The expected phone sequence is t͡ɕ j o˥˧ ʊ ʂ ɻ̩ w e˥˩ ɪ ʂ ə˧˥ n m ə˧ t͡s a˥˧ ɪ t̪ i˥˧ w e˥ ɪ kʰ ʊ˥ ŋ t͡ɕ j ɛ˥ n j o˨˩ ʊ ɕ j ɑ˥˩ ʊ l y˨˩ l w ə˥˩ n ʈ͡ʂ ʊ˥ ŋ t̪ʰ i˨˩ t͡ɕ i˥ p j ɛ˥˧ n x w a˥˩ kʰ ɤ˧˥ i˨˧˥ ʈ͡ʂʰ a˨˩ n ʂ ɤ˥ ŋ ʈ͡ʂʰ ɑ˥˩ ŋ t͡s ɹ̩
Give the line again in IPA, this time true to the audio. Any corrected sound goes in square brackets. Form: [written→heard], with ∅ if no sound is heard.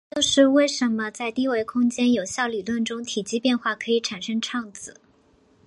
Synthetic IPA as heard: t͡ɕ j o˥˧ ʊ ʂ ɻ̩ w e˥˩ ɪ ʂ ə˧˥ n m ə˧ t͡s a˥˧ ɪ t̪ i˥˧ w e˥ ɪ kʰ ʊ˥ ŋ t͡ɕ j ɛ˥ n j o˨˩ ʊ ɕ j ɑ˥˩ ʊ l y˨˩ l w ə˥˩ n ʈ͡ʂ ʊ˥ ŋ t̪ʰ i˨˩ t͡ɕ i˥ p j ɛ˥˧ n x w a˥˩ kʰ ɤ˧˥ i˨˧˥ ʈ͡ʂʰ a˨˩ n ʂ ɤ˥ ŋ ʈ͡ʂʰ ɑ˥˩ ŋ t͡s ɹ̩